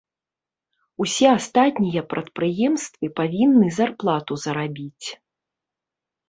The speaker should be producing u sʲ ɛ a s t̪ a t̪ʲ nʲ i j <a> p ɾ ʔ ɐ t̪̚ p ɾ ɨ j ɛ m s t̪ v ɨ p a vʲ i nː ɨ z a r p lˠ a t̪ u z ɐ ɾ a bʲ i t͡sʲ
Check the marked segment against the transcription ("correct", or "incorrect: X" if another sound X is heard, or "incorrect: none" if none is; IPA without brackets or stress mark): incorrect: ɐ